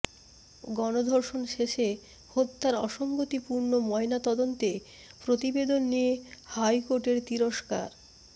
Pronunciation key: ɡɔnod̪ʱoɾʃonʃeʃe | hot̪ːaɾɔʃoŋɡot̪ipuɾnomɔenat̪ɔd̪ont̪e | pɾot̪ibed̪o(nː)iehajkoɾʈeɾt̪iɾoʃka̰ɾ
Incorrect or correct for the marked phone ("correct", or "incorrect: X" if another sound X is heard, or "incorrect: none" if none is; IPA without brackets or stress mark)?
correct